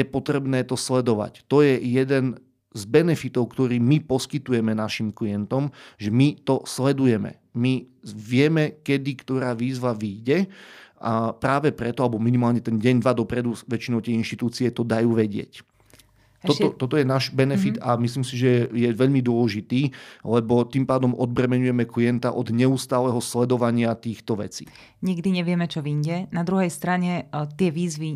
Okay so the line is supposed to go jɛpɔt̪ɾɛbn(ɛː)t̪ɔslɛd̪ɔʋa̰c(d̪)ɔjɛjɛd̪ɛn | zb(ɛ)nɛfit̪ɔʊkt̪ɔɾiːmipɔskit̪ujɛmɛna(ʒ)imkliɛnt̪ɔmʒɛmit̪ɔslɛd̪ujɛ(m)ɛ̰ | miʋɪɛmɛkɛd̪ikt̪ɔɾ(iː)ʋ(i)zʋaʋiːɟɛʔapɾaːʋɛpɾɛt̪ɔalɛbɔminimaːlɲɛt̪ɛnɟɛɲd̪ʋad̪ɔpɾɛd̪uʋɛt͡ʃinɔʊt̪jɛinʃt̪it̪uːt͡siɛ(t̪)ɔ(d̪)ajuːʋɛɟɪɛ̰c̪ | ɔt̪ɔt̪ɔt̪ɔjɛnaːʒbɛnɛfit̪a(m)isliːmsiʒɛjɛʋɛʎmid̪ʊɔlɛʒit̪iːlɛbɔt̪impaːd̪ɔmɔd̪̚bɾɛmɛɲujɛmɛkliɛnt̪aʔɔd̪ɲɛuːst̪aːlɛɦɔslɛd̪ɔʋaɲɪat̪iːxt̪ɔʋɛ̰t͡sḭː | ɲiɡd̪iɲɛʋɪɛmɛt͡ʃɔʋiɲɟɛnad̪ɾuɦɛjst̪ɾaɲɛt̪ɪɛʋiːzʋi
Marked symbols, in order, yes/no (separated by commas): yes, no, yes, no, yes, no, no, yes, yes, yes